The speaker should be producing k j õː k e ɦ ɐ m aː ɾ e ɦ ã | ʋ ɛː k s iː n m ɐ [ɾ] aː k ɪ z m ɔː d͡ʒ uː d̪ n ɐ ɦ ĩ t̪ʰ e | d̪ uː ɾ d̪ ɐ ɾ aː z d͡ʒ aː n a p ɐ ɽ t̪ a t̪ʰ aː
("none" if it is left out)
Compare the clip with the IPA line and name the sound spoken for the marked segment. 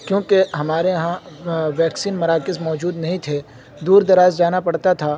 ɾ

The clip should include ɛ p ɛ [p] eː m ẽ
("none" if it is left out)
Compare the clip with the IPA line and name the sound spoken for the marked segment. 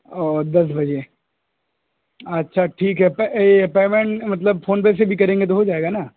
p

